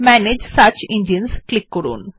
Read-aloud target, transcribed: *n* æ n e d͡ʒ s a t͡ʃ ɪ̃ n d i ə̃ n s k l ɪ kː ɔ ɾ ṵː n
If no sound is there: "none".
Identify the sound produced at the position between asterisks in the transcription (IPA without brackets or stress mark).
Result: m